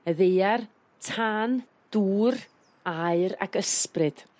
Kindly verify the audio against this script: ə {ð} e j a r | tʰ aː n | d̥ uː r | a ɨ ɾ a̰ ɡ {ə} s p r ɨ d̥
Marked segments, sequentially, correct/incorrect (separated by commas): correct, correct